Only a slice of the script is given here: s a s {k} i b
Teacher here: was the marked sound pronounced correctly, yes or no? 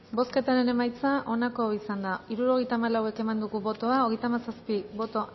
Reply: no